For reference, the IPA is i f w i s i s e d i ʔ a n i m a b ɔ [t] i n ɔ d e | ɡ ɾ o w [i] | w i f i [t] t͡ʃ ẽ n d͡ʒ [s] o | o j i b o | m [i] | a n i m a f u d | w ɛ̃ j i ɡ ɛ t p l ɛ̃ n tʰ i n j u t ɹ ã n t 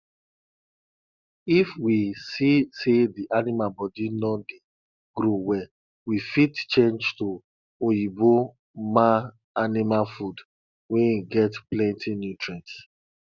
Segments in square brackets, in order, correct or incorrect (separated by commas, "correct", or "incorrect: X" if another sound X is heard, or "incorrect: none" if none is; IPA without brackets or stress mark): incorrect: d, incorrect: ɛ, correct, incorrect: t, incorrect: a